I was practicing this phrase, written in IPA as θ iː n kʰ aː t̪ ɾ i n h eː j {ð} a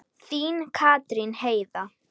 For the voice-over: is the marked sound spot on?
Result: yes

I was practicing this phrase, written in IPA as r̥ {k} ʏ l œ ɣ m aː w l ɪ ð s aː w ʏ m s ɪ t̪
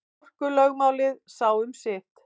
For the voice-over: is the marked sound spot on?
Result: yes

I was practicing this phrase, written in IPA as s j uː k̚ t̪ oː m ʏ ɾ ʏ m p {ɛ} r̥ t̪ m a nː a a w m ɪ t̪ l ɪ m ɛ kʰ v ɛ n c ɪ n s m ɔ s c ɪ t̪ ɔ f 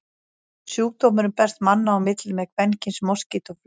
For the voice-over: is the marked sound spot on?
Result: yes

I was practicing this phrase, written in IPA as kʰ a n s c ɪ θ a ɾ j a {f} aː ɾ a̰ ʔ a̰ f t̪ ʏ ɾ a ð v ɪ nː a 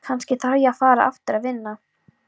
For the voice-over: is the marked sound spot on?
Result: yes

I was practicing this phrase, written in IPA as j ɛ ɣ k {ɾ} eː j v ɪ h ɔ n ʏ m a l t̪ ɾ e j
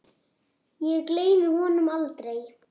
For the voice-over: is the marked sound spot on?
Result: no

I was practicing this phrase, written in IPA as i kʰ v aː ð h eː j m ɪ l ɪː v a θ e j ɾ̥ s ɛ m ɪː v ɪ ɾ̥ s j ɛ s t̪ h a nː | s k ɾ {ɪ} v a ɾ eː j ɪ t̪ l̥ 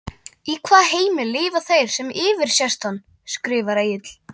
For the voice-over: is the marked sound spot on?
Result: no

